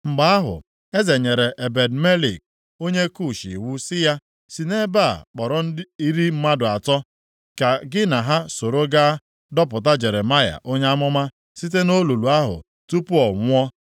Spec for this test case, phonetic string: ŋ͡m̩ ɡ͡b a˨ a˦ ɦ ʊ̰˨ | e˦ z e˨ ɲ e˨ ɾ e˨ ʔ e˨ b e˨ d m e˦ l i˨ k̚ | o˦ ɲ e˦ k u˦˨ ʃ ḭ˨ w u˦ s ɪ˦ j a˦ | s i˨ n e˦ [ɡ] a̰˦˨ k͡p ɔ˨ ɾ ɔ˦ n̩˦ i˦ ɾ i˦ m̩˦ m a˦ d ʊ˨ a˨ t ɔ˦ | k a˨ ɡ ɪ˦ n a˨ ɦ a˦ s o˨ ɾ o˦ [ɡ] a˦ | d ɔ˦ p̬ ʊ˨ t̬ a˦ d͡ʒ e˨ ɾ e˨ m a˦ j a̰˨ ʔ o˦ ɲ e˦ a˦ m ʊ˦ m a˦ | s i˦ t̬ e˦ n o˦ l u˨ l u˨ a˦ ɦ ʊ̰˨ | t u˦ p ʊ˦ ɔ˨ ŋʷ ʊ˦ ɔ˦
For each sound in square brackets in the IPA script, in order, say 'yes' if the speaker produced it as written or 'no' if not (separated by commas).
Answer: no, yes